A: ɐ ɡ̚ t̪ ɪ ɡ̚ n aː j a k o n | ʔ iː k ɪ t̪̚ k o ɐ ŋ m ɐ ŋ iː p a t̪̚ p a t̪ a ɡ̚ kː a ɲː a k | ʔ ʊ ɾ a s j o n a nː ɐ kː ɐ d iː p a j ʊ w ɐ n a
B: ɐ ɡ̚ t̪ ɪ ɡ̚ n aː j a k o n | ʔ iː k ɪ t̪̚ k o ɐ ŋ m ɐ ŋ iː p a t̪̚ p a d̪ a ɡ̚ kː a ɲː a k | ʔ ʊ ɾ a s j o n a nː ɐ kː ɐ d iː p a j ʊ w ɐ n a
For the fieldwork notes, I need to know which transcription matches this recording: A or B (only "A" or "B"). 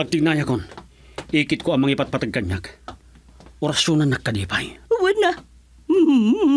A